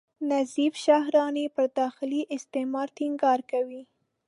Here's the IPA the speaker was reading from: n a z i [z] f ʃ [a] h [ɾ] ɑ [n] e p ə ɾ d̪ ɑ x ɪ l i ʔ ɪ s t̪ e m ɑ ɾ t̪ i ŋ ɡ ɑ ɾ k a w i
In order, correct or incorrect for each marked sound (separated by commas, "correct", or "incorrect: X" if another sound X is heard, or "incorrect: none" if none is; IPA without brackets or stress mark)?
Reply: incorrect: none, correct, correct, correct